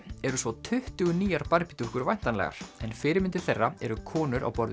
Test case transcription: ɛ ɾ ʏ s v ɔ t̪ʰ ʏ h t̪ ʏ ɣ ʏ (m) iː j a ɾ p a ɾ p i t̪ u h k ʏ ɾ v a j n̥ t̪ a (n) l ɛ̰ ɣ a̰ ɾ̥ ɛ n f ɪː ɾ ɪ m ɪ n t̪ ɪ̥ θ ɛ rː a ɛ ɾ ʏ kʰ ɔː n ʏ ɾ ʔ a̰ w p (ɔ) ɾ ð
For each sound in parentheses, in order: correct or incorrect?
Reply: incorrect, correct, correct

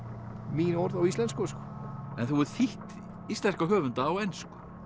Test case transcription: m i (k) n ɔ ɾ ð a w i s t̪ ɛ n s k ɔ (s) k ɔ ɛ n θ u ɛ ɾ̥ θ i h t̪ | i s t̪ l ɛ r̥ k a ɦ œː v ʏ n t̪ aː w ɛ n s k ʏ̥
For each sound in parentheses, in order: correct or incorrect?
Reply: incorrect, correct

